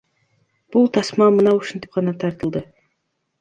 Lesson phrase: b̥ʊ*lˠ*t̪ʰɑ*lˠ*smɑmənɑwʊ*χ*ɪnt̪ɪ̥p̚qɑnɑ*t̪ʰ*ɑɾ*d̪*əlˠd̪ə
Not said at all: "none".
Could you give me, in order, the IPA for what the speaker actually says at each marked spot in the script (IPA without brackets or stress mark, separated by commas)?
lˠ, none, ʃ, t̪ʰ, t̪